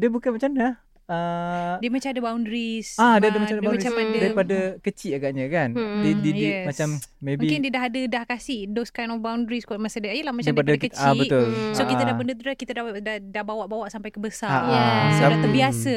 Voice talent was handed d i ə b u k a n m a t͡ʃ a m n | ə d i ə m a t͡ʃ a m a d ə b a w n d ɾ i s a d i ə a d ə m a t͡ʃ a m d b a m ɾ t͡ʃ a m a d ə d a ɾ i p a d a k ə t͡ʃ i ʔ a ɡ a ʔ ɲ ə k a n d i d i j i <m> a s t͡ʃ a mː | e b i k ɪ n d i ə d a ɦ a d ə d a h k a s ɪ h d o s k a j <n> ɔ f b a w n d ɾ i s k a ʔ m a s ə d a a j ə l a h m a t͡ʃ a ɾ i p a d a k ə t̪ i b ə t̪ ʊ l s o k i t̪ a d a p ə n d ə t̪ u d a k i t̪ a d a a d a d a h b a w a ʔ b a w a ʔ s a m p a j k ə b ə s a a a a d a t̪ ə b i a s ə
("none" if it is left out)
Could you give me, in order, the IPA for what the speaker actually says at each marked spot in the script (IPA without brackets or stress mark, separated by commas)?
m, n